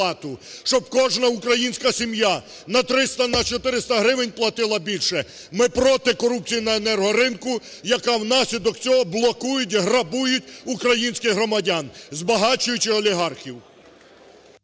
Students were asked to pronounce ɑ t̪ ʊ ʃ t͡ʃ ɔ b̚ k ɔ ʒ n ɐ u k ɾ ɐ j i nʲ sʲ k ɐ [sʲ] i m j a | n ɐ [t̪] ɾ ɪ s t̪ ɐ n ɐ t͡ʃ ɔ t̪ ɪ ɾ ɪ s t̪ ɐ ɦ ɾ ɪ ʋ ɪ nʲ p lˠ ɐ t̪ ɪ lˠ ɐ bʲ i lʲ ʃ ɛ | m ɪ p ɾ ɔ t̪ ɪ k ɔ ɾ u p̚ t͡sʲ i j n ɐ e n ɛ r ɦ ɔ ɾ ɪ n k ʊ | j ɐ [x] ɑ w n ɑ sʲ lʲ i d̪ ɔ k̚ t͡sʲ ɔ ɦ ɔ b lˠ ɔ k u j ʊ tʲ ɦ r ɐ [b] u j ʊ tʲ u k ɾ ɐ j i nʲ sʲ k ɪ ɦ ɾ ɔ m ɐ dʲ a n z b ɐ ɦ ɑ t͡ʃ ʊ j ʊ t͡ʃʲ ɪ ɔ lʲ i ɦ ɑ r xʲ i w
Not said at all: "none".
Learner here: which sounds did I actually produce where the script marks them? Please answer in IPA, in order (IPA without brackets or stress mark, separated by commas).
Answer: sʲ, t̪, k, b